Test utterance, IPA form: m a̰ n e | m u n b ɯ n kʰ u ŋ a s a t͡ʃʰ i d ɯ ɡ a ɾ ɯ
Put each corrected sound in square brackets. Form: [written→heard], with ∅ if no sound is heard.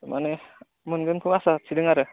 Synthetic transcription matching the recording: m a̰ n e | m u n [b→ɡ] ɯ n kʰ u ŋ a s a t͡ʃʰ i d ɯ [ɡ→ŋ] a ɾ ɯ